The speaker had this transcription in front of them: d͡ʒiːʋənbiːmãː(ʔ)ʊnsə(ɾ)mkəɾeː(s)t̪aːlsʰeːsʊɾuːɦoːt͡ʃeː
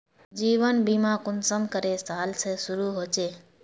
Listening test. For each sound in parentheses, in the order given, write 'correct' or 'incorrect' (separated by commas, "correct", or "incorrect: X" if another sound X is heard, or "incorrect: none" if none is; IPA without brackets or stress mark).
incorrect: k, incorrect: none, correct